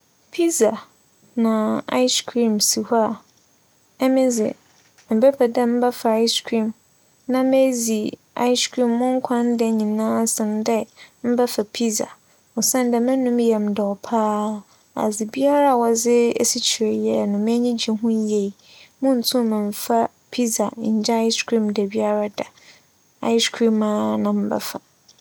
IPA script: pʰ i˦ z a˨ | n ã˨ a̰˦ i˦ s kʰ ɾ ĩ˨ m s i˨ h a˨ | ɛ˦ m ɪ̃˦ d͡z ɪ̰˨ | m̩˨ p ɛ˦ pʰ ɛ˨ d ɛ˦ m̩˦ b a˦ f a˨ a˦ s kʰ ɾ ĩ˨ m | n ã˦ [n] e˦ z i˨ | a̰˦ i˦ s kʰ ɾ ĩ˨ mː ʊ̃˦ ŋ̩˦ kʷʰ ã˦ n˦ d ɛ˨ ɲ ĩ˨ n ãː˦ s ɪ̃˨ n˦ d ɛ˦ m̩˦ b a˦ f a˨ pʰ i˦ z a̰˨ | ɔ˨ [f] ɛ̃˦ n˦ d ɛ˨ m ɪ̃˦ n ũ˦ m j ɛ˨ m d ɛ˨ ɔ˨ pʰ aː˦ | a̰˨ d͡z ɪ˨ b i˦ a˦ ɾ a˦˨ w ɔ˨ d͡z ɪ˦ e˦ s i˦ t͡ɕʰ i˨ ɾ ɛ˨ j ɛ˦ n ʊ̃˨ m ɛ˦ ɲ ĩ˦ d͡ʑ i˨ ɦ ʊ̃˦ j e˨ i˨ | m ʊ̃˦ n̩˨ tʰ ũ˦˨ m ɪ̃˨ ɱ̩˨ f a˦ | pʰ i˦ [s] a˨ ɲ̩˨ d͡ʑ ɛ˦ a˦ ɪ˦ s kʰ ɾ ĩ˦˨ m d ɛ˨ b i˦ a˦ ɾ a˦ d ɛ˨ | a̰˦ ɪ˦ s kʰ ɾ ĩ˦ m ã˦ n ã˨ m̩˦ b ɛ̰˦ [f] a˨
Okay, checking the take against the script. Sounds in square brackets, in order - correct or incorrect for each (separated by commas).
incorrect, incorrect, incorrect, correct